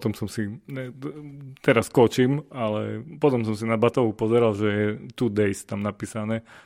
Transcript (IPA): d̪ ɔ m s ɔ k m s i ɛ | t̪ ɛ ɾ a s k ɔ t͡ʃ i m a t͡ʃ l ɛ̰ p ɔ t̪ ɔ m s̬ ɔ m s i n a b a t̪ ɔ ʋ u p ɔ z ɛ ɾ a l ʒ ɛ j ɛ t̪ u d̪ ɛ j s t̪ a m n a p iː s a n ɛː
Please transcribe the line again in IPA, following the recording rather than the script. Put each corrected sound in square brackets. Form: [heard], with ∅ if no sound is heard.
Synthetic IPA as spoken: [t̪] ɔ m s ɔ [∅] m s i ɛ | t̪ ɛ ɾ a s k ɔ t͡ʃ i m a [∅] l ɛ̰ p ɔ t̪ ɔ m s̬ ɔ m s i n a b a t̪ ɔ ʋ u p ɔ z ɛ ɾ a l ʒ ɛ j ɛ t̪ u d̪ ɛ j s t̪ a m n a p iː s a n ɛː